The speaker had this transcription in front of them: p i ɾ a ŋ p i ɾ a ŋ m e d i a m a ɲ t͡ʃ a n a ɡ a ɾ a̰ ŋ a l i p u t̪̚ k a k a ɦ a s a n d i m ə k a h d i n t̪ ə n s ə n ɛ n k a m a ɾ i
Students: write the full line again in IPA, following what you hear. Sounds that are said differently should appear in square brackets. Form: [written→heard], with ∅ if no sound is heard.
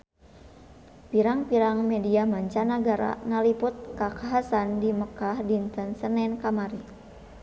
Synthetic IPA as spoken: p i ɾ a ŋ p i ɾ a ŋ m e d i a m a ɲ t͡ʃ a n a ɡ a ɾ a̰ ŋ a l i p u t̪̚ k a k a ɦ a s a n d i m ə k a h d i n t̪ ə n s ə n ɛ n k a m a ɾ i